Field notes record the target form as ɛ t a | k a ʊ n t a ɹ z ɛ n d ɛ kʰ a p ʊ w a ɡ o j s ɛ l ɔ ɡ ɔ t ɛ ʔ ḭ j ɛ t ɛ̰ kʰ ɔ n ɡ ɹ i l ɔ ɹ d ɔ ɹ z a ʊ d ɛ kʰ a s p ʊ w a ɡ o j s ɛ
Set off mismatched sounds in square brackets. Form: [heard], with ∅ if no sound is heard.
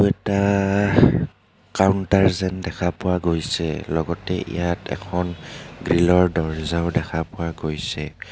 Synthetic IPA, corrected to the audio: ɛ t a | k a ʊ n t a ɹ z ɛ n d ɛ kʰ a p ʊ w a ɡ o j s ɛ l ɔ ɡ ɔ t ɛ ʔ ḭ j [a] t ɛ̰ kʰ ɔ n ɡ ɹ i l ɔ ɹ d ɔ ɹ z a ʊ d ɛ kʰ a [∅] p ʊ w a ɡ o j s ɛ